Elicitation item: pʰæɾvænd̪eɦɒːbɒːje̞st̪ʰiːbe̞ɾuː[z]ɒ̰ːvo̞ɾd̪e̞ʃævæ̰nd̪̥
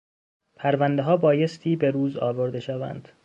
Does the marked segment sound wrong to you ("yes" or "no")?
no